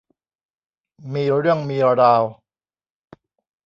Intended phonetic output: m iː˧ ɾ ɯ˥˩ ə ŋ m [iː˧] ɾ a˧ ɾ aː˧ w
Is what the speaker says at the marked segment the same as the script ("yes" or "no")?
yes